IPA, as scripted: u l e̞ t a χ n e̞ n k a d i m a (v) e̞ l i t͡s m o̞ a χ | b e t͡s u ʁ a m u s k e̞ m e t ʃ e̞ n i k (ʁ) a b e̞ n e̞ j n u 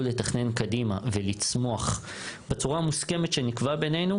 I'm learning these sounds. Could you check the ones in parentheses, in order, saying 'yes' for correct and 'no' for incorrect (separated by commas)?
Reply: yes, no